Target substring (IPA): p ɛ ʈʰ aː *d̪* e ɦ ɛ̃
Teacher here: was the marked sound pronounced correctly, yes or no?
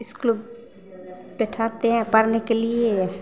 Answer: no